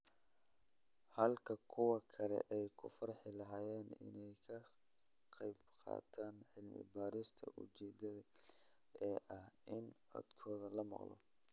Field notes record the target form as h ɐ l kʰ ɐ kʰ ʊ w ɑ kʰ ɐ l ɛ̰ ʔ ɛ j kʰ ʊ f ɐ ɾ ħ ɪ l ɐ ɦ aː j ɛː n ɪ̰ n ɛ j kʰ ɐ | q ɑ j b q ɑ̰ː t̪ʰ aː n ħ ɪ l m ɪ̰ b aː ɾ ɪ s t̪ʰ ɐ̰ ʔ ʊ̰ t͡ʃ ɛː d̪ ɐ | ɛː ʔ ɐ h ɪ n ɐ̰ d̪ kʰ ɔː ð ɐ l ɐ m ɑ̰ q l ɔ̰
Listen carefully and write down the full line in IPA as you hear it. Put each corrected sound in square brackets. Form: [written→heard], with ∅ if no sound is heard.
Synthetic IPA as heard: h ɐ l kʰ ɐ kʰ ʊ w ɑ kʰ ɐ l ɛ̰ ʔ ɛ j kʰ ʊ f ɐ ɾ ħ ɪ l ɐ ɦ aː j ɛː n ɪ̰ n ɛ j kʰ ɐ | q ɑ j b q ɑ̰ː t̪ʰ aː n ħ ɪ l m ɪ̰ b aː ɾ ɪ s t̪ʰ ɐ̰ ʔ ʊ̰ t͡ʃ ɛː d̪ ɐ | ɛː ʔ ɐ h ɪ n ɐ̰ d̪ kʰ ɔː ð ɐ l ɐ m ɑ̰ q l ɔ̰